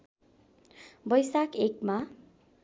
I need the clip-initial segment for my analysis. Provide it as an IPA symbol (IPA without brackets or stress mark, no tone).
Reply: b